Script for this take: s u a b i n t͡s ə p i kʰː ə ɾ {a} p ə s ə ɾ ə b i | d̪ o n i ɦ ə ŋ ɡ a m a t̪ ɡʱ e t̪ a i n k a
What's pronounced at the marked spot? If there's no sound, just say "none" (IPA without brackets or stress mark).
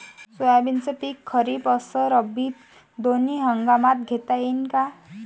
i